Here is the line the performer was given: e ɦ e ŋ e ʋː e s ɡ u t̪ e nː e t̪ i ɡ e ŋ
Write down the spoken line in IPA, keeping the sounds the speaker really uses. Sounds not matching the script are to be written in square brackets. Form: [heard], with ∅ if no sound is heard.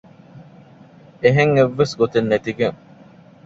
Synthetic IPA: e ɦ e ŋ e ʋː e s ɡ [o] t̪ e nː e t̪ i ɡ e ŋ